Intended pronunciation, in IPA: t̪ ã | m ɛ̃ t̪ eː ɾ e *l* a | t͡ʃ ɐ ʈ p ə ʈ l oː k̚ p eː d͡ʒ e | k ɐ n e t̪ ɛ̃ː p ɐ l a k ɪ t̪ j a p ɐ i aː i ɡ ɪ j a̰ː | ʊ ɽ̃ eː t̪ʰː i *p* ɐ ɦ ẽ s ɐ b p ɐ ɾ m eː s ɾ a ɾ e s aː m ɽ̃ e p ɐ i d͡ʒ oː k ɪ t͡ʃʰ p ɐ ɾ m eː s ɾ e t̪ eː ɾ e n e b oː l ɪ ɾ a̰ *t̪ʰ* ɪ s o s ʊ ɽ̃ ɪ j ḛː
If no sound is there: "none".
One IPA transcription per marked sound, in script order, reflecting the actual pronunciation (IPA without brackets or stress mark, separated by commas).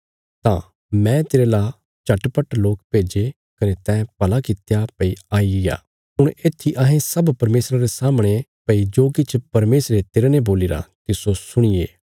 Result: l, ʔ, t̪